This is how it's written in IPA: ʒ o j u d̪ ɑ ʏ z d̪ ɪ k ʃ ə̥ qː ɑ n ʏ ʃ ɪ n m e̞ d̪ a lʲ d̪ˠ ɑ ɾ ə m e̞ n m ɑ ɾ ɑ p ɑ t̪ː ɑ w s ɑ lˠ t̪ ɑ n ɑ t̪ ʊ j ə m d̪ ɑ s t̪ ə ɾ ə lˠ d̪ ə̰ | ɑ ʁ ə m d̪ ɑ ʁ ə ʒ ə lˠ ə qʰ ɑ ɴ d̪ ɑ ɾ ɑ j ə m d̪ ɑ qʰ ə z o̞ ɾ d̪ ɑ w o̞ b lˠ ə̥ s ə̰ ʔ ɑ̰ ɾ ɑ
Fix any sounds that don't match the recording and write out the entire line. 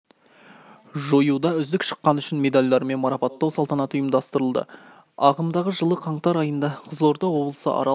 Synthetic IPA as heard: ʒ o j u d̪ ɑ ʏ z d̪ ɪ k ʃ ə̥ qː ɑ n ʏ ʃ ɪ n m e̞ d̪ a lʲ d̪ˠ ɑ ɾ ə m e̞ n m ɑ ɾ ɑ p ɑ t̪ː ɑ w s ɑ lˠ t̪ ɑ n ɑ t̪ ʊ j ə m d̪ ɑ s t̪ ə ɾ ə lˠ d̪ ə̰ | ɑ ʁ ə m d̪ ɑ ʁ ə ʒ ə lˠ ə qʰ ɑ ɴ t̪ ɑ ɾ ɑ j ə n d̪ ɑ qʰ ə z o̞ ɾ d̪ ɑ w o̞ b lˠ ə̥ s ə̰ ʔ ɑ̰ ɾ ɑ